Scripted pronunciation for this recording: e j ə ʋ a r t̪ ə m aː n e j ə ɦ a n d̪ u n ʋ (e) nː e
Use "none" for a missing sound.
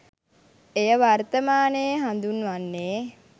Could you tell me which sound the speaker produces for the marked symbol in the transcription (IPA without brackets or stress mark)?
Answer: a